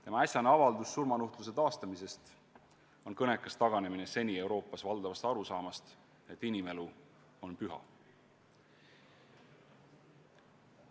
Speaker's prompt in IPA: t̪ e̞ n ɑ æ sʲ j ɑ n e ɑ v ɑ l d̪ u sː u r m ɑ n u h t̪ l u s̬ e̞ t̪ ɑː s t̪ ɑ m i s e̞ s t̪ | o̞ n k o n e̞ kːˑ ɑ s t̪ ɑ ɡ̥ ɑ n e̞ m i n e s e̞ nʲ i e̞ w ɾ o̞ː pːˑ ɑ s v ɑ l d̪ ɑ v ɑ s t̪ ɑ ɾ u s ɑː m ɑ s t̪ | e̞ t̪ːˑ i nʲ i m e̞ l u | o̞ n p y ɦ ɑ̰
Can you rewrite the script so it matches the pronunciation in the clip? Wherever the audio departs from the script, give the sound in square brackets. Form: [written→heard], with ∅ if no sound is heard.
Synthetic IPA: t̪ e̞ [n→m] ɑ æ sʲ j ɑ n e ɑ v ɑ l d̪ u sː u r m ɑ n u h t̪ l u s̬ e̞ t̪ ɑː s t̪ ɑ m i s e̞ s t̪ | o̞ n k [o→ɤ] n e̞ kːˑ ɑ s t̪ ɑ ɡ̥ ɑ n e̞ m i n e s e̞ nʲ i e̞ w ɾ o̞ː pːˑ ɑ s v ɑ l d̪ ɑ v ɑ s t̪ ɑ ɾ u s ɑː m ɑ s t̪ | e̞ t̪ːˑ i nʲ i m e̞ l u | o̞ n p y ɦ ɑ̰